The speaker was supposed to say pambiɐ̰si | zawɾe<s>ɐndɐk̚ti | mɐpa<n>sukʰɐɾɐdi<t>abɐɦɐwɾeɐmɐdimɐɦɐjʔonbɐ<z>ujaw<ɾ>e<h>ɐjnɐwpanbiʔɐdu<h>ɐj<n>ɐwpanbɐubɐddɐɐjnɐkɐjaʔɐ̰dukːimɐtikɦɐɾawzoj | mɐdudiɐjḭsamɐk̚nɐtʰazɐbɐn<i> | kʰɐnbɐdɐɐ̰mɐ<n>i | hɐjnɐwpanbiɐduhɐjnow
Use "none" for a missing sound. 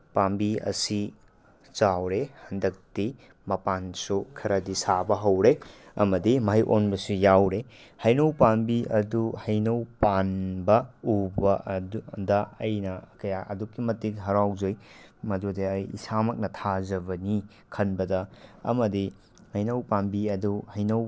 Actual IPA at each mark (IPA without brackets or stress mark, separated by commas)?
h, n, s, s, ɾ, h, h, n, i, d